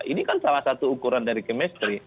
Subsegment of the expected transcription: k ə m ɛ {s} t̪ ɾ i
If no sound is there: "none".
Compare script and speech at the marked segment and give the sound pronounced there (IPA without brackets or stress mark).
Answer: s